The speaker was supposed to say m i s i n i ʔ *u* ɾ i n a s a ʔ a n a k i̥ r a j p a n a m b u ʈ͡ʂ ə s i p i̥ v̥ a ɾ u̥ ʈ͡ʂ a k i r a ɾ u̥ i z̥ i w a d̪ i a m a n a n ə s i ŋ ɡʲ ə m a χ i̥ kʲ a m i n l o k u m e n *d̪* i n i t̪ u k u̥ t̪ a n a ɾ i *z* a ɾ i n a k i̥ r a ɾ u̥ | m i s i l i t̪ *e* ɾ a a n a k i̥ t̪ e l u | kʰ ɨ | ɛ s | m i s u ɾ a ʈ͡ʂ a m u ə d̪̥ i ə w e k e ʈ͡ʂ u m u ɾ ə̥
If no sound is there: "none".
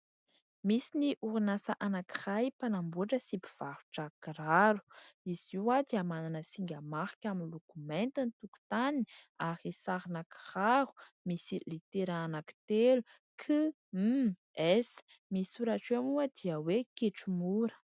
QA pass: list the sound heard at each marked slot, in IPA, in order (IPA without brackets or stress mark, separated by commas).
u, t̪, s, e